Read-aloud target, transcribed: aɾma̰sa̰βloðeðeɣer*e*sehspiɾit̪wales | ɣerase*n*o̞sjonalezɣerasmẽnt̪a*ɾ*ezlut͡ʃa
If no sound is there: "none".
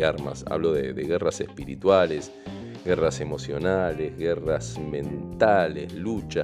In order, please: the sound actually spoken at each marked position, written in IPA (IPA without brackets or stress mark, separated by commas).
a, m, l